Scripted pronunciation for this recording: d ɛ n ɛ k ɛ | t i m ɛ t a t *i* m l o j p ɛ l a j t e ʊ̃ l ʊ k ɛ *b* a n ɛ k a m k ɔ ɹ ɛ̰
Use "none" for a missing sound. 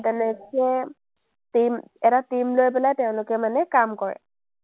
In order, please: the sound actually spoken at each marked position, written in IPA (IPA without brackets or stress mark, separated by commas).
i, m